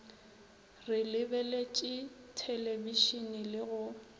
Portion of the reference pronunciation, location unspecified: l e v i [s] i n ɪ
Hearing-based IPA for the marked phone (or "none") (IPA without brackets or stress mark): ʃ